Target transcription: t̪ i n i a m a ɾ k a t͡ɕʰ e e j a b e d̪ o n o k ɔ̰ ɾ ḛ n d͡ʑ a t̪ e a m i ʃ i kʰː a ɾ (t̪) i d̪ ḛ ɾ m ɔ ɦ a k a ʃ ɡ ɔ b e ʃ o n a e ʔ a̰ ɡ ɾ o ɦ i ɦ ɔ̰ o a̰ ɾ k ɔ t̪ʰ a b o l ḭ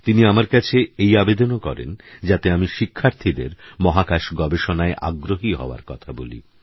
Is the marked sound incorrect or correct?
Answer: incorrect